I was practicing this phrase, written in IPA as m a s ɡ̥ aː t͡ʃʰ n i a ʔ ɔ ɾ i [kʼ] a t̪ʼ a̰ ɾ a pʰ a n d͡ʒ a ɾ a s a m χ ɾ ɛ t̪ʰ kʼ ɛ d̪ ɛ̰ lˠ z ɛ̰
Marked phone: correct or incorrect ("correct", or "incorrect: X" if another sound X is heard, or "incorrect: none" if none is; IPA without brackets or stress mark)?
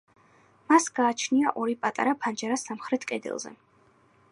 incorrect: pʼ